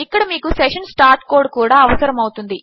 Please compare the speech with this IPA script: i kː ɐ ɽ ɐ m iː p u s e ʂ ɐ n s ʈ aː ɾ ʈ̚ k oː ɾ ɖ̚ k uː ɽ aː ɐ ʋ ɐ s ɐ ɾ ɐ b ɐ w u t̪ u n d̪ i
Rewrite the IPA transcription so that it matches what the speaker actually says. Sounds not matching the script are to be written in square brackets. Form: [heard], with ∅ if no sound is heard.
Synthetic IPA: i kː ɐ ɽ ɐ m iː [k] u s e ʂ ɐ n s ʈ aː ɾ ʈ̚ k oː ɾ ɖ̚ k uː ɽ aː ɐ ʋ ɐ s ɐ ɾ ɐ [m] ɐ w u t̪ u n d̪ i

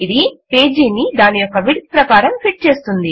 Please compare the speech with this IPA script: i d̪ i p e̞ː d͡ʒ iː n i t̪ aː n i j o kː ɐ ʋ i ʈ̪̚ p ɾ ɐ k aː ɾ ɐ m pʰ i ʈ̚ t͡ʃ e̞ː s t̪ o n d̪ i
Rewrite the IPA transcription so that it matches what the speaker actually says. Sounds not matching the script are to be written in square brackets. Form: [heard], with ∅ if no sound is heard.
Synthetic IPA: i d̪ i p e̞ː d͡ʒ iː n i [d̪] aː n i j o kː ɐ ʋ i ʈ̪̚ p ɾ ɐ k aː ɾ ɐ m pʰ i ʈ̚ t͡ʃ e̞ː s t̪ [u] n d̪ i

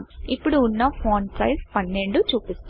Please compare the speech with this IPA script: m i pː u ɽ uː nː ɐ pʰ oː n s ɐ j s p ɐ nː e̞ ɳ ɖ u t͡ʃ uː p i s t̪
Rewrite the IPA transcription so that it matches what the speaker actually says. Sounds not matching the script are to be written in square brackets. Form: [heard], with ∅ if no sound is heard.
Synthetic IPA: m i pː u ɽ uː nː ɐ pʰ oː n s ɐ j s p ɐ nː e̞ ɳ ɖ u t͡ʃ uː p i s t̪

